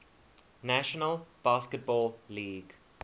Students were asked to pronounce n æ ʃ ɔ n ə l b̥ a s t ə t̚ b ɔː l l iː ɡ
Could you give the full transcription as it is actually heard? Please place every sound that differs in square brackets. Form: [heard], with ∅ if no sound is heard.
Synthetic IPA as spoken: n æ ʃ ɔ n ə l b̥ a s [k] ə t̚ b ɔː l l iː ɡ